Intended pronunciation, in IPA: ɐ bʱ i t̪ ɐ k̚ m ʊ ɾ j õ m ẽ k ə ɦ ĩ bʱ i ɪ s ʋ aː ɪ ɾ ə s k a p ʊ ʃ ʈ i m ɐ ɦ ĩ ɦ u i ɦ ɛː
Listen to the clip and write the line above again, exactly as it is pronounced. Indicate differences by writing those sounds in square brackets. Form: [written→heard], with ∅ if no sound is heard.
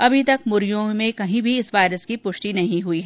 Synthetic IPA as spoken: ɐ bʱ i t̪ ɐ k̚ m ʊ ɾ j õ m ẽ k [ə→ɐ] ɦ ĩ bʱ i ɪ s ʋ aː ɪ ɾ ə s k [a→i] p ʊ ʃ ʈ i [m→n] ɐ ɦ ĩ ɦ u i ɦ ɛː